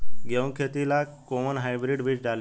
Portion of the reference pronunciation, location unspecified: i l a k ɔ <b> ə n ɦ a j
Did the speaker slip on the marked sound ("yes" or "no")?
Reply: yes